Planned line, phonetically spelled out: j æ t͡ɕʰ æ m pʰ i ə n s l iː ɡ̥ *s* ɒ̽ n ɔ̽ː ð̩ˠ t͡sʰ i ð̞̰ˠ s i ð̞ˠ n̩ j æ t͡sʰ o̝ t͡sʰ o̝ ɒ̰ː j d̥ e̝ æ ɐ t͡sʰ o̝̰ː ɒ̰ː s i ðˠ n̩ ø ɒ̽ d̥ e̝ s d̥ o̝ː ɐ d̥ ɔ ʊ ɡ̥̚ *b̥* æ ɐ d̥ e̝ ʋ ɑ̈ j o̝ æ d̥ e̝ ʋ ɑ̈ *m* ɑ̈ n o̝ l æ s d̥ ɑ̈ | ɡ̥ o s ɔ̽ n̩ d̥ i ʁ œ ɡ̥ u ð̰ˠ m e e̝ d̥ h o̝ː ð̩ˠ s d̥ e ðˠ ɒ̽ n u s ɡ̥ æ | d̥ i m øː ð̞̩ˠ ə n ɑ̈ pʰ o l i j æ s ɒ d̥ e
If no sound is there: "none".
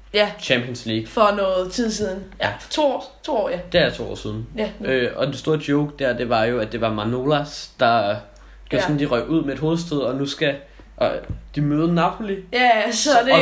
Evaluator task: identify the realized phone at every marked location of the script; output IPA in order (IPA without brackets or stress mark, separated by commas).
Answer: f, d̥, m